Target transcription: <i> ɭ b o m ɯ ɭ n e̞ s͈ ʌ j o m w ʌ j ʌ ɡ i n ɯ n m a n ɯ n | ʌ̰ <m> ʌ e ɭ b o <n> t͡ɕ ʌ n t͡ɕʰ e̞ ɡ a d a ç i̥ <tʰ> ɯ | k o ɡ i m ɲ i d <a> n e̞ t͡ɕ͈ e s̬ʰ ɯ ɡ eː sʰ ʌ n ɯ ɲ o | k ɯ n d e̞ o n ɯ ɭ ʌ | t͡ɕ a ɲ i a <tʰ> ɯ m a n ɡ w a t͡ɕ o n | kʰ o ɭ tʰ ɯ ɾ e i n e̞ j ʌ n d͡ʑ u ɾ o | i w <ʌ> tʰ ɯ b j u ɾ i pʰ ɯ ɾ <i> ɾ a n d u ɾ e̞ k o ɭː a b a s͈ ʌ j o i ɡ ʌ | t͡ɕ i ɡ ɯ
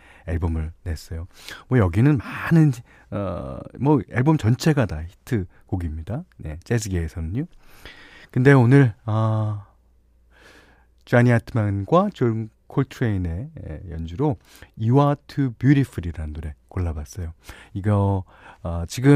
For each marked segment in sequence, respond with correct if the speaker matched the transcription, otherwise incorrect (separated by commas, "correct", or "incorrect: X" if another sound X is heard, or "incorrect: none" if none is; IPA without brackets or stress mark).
incorrect: e, correct, incorrect: m, correct, correct, correct, incorrect: a, correct